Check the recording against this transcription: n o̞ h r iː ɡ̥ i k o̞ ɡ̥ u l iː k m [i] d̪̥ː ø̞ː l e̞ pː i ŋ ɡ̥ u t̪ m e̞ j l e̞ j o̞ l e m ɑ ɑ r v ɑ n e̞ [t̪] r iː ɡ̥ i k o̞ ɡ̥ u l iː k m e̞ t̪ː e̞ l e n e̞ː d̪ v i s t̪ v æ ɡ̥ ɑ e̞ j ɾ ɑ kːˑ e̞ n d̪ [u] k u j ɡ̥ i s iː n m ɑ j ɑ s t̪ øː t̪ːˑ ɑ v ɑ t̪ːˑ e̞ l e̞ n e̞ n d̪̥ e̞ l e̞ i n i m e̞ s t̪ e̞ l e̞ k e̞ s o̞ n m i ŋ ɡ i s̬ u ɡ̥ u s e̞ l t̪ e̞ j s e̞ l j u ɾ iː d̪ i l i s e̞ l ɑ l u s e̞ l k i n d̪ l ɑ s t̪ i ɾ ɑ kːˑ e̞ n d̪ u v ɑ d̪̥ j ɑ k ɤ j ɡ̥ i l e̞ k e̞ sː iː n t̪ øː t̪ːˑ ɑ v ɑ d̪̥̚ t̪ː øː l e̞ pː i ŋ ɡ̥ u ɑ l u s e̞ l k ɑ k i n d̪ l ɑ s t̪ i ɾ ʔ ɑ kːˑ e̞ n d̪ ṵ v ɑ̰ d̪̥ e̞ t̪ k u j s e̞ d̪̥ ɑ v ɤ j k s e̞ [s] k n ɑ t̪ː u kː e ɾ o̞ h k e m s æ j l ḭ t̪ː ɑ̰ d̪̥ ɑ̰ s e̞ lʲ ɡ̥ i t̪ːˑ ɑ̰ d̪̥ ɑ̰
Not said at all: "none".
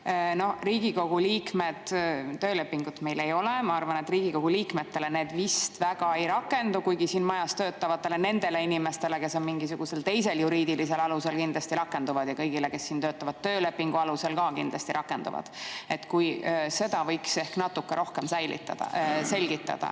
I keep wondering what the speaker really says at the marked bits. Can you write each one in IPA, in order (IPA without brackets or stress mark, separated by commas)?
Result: e, t̪, u, h